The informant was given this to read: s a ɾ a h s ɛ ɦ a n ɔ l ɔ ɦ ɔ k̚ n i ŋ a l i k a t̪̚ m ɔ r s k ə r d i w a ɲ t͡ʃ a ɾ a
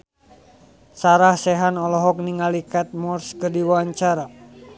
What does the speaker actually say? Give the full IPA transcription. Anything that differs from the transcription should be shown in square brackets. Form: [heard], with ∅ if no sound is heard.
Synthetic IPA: s a ɾ a h s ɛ ɦ a n ɔ l ɔ ɦ ɔ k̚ n i ŋ a l i k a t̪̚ m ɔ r s k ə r d i w a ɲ t͡ʃ a ɾ a